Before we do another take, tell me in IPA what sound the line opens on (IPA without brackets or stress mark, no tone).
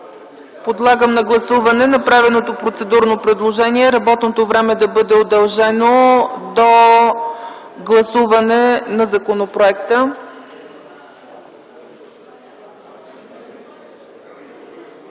p